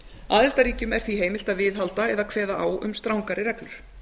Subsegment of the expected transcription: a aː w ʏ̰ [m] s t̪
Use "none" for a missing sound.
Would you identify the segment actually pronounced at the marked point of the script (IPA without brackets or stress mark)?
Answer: m